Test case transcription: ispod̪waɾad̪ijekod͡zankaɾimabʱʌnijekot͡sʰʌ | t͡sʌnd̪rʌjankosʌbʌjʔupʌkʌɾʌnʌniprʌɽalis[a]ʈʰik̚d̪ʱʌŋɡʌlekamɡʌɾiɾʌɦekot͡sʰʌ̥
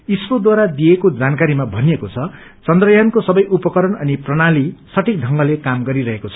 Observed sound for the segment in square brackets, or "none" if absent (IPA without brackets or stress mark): ʌ